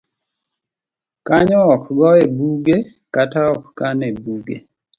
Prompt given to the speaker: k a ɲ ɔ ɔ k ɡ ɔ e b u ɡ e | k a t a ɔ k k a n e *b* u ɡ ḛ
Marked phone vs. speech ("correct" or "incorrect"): correct